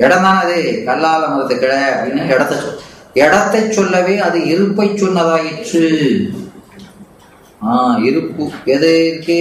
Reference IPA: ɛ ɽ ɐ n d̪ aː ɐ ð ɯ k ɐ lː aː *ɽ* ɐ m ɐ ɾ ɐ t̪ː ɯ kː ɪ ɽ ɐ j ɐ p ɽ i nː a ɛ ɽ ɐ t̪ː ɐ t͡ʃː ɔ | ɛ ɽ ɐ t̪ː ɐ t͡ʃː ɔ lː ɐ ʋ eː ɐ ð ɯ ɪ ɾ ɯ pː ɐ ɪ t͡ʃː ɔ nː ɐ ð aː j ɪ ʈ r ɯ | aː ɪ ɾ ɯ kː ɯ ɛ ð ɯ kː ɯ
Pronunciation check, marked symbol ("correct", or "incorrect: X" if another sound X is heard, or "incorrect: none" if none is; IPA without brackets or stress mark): incorrect: l